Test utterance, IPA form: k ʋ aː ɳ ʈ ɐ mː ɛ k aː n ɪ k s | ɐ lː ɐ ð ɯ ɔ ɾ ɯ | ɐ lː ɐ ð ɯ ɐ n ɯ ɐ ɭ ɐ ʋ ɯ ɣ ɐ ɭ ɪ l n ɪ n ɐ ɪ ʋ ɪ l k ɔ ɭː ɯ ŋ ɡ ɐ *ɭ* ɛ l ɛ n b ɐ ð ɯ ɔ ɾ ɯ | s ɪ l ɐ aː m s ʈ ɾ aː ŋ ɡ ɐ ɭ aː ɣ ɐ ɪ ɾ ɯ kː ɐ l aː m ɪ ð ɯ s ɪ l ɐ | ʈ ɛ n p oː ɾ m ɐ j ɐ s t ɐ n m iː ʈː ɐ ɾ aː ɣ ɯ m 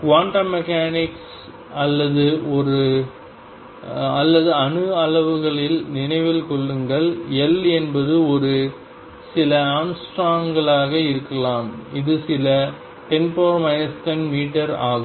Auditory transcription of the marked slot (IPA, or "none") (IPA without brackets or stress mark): ɭ